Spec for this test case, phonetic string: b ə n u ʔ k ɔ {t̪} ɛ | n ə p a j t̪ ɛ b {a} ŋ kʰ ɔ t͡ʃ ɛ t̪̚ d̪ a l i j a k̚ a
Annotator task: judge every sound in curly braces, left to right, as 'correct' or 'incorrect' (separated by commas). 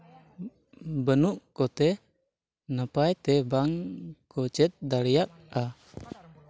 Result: correct, correct